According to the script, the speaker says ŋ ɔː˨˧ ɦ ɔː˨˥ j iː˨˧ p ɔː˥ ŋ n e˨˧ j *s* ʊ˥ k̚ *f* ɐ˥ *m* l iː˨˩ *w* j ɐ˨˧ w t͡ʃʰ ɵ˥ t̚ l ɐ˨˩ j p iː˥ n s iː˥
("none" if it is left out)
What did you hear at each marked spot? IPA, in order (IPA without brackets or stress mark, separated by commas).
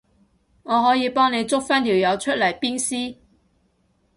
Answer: t͡s, f, n, w